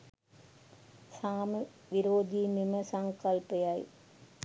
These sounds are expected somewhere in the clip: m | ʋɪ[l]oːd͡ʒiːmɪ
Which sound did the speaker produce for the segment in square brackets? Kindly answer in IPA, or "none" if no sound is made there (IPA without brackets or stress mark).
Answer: ɾ